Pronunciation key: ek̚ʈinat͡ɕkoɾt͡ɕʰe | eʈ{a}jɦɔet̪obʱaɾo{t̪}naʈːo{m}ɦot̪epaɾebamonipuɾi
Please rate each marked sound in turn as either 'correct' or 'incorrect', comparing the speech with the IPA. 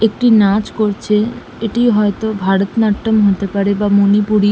incorrect: i, correct, correct

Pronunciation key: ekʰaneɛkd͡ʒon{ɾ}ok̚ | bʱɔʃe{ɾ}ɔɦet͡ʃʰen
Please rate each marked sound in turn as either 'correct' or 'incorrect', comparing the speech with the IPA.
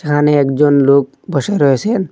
incorrect: l, correct

